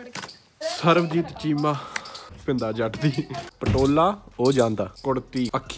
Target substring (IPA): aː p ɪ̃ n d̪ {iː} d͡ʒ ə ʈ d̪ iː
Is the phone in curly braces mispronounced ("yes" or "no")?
yes